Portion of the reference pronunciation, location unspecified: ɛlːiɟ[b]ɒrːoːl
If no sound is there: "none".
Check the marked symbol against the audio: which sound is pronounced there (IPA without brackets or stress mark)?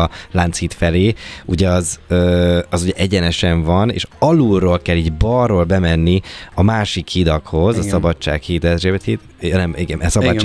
b